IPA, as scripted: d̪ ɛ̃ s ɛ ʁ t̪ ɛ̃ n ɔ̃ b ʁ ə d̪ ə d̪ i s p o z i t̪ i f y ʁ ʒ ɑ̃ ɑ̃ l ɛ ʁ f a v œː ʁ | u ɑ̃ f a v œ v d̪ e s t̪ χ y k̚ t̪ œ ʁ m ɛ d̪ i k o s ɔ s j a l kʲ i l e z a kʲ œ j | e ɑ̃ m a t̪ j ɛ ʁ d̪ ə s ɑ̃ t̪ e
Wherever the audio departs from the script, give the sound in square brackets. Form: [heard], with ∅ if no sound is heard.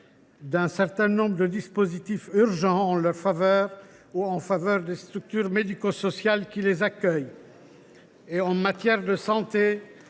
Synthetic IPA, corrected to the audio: d̪ ɛ̃ s ɛ ʁ t̪ ɛ̃ n ɔ̃ b ʁ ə d̪ ə d̪ i s p o z i t̪ i f y ʁ ʒ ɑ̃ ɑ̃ l [œ] ʁ f a v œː ʁ | u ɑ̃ f a v œ [ʁ] d̪ e s t̪ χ y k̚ t̪ [y] ʁ m [e] d̪ i k o s ɔ s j a l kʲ i l e z a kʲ œ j | e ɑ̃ m a t̪ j ɛ ʁ d̪ ə s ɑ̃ t̪ e